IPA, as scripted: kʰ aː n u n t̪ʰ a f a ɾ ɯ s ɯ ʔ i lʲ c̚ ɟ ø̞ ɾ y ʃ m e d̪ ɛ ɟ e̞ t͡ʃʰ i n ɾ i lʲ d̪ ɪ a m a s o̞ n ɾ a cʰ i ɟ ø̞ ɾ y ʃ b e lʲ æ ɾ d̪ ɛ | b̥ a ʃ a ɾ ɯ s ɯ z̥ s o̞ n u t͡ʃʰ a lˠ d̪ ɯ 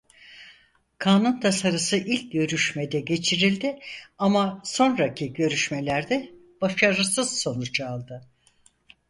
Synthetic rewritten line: kʰ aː n u n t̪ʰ a s a ɾ ɯ s ɯ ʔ i lʲ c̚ ɟ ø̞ ɾ y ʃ m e d̪ ɛ ɟ e̞ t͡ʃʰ i ɾ i lʲ d̪ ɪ a m a s o̞ n ɾ a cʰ i ɟ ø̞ ɾ y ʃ m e lʲ æ ɾ d̪ ɛ | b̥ a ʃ a ɾ ɯ s ɯ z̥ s o̞ n u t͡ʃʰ a lˠ d̪ ɯ